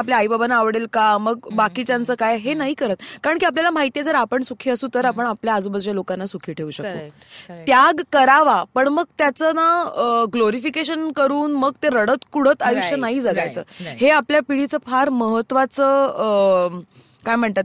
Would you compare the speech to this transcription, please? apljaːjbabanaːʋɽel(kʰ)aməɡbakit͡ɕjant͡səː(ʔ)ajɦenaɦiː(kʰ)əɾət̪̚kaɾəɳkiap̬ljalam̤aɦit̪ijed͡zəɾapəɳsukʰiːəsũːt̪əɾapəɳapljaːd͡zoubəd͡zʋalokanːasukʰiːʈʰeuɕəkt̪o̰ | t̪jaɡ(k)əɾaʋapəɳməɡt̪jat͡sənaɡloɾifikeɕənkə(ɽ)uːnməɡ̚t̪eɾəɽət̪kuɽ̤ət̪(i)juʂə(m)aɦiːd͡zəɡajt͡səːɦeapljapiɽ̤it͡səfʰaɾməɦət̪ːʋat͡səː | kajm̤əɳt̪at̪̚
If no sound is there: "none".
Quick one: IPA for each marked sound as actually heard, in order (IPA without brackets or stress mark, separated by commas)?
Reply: k, k, k, k, ɾ, a, n